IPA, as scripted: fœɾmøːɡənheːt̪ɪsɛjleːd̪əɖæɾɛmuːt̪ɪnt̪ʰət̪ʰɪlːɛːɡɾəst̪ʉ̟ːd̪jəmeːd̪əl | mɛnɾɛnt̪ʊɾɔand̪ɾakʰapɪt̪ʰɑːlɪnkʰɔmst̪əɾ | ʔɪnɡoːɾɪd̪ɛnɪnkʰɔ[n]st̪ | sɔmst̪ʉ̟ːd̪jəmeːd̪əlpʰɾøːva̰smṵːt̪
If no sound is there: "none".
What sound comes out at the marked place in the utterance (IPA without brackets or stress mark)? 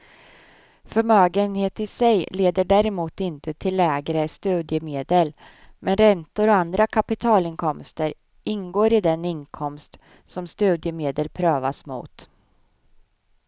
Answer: m